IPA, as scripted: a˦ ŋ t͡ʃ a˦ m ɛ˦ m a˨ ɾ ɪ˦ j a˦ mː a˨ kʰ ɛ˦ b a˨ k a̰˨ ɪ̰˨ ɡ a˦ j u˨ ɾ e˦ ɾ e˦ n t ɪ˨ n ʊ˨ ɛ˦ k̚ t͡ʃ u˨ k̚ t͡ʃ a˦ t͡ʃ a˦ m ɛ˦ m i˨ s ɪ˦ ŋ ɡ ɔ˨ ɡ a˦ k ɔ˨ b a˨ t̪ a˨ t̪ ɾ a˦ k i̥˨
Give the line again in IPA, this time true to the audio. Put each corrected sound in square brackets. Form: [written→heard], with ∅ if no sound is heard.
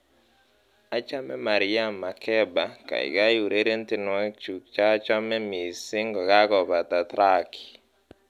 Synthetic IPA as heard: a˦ [ŋ→∅] t͡ʃ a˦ m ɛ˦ m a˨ ɾ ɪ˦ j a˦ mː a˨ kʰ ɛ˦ b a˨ k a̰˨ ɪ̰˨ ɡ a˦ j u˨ ɾ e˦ ɾ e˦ n t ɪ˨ n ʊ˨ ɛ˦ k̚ t͡ʃ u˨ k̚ t͡ʃ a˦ t͡ʃ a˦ m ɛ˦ m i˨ s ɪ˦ ŋ ɡ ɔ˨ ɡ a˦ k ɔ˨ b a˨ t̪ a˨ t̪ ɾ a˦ k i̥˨